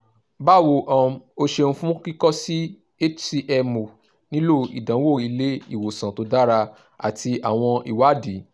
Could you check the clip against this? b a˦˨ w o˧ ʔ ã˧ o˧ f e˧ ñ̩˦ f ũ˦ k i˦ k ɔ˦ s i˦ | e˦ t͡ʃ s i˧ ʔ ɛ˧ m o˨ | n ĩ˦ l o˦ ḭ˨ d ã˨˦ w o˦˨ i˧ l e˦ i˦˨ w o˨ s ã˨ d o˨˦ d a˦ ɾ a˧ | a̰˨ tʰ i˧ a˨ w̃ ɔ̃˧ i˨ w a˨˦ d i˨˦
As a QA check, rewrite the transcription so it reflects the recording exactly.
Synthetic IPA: b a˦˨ w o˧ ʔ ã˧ o˧ ʃ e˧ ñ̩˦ f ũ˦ k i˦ k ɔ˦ s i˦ | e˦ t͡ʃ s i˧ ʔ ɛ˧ m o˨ | n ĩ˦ l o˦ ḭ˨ d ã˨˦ w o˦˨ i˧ l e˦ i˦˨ w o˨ s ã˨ t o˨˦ d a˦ ɾ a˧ | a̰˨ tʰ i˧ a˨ w̃ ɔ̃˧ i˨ w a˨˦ d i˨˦